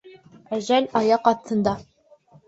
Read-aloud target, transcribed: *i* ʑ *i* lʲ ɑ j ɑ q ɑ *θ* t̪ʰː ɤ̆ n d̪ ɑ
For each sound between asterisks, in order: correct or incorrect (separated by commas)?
incorrect, incorrect, correct